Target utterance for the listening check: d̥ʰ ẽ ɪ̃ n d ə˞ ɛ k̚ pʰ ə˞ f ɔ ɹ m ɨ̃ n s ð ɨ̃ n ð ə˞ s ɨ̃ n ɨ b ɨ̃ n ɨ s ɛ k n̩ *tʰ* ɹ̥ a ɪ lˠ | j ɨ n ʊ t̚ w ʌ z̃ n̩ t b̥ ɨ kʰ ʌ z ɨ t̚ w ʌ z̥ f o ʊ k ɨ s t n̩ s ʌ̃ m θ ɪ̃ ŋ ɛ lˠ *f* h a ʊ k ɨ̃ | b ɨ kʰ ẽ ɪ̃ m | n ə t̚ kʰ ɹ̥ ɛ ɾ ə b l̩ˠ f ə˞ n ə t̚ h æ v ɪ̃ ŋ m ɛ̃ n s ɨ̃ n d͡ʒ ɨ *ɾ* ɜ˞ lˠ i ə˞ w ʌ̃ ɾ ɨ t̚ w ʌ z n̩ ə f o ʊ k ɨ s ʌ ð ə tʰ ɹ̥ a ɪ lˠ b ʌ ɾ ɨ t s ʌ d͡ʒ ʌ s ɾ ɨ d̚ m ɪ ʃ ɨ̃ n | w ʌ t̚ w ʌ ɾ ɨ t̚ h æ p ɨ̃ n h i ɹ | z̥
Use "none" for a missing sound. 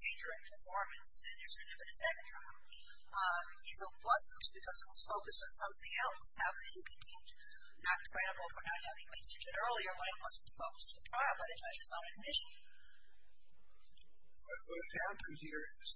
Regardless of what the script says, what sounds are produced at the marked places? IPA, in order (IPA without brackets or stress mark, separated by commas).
tʰ, s, ɾ